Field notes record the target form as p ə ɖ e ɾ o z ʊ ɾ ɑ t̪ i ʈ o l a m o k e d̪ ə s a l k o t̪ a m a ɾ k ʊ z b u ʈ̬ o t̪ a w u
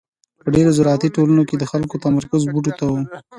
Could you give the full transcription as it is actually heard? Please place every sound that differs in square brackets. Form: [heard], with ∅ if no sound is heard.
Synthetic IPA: p ə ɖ e ɾ o z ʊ ɾ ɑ t̪ i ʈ o l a [n] o k e d̪ ə [x] a l k o t̪ a m a ɾ k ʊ z b u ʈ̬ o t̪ a w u

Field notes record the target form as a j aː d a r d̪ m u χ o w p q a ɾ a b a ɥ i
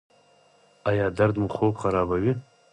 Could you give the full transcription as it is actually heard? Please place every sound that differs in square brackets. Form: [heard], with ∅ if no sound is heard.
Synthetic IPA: a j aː d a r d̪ m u χ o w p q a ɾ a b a ɥ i

